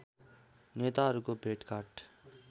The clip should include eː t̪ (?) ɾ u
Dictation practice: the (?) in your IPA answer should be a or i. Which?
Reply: a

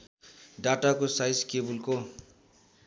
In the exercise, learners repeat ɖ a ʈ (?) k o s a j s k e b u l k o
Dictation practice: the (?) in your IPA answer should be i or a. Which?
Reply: a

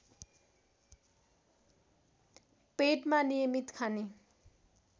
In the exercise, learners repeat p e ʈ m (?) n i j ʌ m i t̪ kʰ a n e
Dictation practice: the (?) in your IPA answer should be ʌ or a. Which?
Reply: a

